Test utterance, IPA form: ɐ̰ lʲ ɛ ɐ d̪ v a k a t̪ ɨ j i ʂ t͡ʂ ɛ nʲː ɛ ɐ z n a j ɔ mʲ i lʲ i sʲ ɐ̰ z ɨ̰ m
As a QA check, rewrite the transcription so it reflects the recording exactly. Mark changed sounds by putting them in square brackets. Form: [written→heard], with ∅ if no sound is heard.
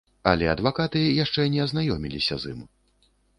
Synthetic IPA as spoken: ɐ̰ lʲ ɛ ɐ d̪ v a k a t̪ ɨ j [i→a] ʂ t͡ʂ ɛ [nʲː→nʲ] ɛ ɐ z n a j ɔ mʲ i lʲ i sʲ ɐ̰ z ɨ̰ m